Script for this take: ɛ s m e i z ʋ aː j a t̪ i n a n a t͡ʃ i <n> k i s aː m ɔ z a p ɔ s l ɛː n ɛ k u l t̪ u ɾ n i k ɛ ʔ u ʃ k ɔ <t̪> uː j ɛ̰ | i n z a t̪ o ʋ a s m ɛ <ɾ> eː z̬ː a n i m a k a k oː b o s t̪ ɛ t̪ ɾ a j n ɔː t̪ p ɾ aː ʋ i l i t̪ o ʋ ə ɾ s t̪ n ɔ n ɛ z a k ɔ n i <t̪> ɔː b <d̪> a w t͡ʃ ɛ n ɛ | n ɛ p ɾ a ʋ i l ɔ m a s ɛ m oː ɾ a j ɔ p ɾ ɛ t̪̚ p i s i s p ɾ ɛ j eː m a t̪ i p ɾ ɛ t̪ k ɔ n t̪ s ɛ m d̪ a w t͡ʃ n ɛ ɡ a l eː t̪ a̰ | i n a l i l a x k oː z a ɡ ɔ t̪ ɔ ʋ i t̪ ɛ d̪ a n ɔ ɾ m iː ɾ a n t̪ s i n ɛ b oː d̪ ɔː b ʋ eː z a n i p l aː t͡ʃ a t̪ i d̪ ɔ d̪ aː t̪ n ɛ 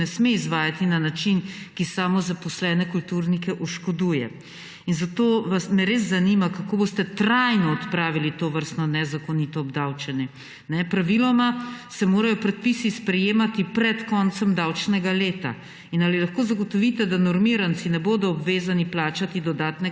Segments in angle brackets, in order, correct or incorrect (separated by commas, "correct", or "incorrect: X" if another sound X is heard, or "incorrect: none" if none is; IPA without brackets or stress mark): correct, incorrect: d̪, correct, correct, correct